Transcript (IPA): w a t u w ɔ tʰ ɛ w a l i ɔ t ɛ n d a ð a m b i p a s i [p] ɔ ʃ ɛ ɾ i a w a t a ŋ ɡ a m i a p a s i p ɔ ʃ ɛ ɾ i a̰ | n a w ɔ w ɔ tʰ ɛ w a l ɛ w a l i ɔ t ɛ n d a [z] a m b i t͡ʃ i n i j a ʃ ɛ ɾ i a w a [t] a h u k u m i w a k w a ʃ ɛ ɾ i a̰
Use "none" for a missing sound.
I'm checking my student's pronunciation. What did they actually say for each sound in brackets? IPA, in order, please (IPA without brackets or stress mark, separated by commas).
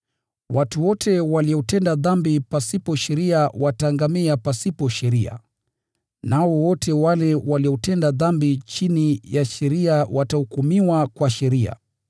p, ð, t